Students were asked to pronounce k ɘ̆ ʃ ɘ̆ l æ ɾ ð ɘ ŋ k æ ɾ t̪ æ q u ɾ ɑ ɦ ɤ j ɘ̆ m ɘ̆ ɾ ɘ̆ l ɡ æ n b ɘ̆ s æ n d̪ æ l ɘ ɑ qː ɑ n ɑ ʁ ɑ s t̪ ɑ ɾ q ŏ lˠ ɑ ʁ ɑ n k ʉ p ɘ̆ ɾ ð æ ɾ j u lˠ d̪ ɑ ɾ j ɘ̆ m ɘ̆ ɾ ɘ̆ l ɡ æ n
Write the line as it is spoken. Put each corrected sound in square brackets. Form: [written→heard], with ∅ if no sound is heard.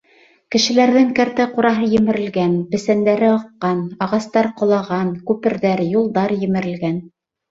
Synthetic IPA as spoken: k ɘ̆ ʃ ɘ̆ l æ ɾ ð ɘ ŋ k æ ɾ t̪ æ q u ɾ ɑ ɦ ɤ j ɘ̆ m ɘ̆ ɾ ɘ̆ l ɡ æ n b ɘ̆ s æ n d̪ æ [l→ɾ] ɘ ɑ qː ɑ n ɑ ʁ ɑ s t̪ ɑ ɾ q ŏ lˠ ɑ ʁ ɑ n k ʉ p ɘ̆ ɾ ð æ ɾ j u lˠ d̪ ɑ ɾ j ɘ̆ m ɘ̆ ɾ ɘ̆ l ɡ æ n